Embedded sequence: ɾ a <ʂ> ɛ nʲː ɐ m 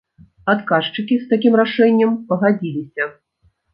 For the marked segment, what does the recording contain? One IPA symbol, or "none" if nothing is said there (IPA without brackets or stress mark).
ʂ